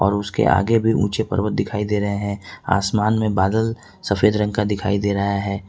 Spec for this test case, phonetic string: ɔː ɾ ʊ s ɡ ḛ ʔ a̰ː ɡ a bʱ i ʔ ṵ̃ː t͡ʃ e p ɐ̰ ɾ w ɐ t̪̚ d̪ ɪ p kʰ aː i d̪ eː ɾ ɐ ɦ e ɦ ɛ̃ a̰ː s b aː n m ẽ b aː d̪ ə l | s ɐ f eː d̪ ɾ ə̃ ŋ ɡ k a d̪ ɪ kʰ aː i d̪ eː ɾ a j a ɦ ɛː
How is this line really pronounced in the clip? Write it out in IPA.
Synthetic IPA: ɔː ɾ ʊ s k ḛ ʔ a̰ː ɡ e bʱ i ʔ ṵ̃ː t͡ʃ e p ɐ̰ ɾ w ə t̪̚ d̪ ɪ kʰ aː i d̪ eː ɾ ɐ ɦ e ɦ ɛ̃ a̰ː s m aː n m ẽ b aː d̪ ə l | s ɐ f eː d̪ ɾ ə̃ ŋ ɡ k a d̪ ɪ kʰ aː i d̪ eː ɾ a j a ɦ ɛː